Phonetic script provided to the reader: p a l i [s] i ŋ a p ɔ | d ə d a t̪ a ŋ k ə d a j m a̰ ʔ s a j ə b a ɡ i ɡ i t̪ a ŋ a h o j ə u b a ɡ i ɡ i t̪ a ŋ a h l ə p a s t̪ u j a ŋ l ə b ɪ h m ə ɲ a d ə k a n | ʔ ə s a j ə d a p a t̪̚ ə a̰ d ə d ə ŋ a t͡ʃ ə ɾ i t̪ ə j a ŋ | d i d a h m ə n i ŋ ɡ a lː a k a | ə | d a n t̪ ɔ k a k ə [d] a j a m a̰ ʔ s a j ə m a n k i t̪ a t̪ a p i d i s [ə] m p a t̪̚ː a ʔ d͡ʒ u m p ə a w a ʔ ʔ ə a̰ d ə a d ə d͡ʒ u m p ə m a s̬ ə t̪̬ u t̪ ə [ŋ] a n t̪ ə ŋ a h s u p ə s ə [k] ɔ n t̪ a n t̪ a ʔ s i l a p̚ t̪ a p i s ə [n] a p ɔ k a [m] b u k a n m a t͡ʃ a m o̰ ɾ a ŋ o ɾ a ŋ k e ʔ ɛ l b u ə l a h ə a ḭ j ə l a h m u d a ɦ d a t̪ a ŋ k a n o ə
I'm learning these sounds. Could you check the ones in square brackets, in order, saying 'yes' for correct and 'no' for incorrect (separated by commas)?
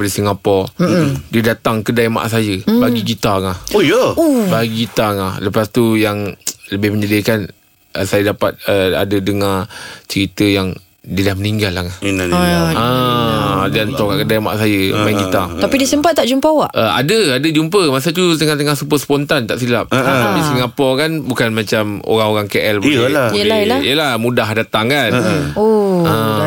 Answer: yes, yes, yes, yes, no, no, no